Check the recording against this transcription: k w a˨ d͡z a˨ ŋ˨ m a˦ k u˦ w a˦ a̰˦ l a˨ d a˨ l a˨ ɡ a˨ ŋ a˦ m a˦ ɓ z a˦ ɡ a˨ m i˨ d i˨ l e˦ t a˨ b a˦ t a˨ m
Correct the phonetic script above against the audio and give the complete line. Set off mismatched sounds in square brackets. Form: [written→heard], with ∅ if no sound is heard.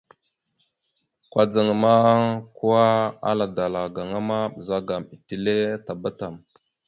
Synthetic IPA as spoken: k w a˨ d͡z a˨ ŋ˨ m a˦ k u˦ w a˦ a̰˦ l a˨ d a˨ l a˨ ɡ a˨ ŋ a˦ m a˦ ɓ z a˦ ɡ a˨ m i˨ [d→t] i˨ l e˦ t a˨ b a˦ t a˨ m